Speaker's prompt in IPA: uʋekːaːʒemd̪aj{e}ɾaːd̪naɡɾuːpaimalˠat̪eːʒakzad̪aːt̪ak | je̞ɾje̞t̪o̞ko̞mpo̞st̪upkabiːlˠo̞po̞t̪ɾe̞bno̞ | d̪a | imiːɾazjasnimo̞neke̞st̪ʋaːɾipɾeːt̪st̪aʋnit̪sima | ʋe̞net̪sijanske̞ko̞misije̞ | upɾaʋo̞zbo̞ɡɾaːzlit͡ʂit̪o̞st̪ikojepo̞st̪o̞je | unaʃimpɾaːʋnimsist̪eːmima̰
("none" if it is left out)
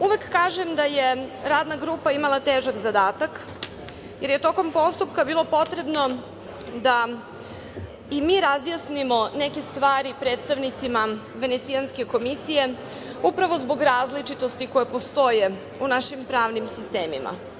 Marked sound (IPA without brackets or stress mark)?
e